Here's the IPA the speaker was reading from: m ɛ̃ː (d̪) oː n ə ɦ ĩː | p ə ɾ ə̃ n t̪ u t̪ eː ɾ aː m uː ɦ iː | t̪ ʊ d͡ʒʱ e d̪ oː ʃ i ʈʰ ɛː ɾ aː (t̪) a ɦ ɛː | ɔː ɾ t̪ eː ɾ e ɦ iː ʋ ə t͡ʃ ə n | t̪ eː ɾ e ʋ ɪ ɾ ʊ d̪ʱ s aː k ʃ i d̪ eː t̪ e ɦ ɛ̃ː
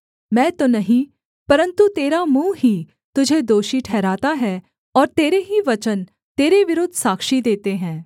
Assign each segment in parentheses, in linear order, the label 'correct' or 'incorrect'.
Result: incorrect, correct

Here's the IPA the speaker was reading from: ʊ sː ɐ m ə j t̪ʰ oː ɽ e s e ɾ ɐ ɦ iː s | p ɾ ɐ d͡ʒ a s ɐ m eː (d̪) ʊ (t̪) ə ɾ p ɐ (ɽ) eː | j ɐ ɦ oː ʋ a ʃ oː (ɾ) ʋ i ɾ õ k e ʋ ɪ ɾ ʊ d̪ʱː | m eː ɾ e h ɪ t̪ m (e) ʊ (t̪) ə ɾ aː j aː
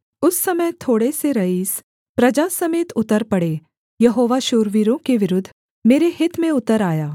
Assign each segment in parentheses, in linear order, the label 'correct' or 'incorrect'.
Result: incorrect, correct, correct, correct, incorrect, correct

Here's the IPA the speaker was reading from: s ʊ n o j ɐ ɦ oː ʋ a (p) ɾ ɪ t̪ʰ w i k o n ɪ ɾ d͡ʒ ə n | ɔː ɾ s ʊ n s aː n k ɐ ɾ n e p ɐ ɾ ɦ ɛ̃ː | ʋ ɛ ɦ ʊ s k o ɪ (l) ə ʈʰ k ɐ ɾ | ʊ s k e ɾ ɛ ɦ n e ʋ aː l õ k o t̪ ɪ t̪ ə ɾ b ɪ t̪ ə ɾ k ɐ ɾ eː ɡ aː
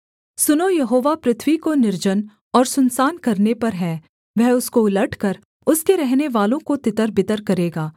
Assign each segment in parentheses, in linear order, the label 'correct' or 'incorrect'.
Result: correct, correct

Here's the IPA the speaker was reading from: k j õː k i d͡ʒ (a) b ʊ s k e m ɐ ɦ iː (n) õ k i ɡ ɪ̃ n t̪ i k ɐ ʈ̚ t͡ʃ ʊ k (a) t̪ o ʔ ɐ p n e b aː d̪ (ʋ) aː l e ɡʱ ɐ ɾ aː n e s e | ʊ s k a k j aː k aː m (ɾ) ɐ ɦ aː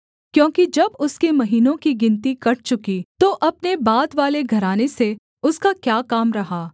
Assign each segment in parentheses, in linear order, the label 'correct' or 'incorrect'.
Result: incorrect, correct, incorrect, correct, correct

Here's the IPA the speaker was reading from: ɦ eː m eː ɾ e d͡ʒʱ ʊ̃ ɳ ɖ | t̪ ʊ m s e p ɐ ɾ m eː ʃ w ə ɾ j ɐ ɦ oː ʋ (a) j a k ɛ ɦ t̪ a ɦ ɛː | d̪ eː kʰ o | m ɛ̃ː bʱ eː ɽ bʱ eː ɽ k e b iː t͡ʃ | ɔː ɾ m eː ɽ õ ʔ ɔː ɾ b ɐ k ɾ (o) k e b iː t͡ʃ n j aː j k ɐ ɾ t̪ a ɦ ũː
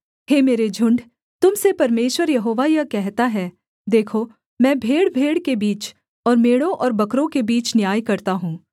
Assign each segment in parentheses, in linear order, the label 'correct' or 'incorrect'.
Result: correct, incorrect

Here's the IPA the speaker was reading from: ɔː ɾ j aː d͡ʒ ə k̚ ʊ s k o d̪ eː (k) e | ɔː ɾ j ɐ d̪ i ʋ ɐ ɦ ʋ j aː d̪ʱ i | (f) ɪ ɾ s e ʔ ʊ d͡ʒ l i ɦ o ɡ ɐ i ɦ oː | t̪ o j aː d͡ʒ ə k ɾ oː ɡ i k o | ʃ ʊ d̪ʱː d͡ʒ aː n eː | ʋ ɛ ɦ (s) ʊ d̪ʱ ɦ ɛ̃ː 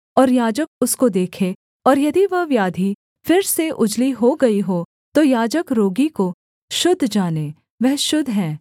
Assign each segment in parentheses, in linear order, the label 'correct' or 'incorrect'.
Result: incorrect, correct, incorrect

